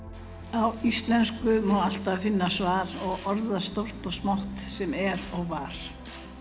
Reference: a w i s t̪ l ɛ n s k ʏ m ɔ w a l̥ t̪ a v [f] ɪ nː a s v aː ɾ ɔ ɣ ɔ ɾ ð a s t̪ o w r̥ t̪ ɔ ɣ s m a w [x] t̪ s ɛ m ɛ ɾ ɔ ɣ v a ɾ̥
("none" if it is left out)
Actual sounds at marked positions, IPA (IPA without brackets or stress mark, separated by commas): f, h